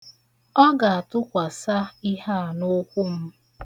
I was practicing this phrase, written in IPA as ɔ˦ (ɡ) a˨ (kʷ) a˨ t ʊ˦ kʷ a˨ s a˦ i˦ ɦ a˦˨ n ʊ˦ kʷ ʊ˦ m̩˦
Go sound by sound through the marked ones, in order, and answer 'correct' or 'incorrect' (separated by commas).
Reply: correct, incorrect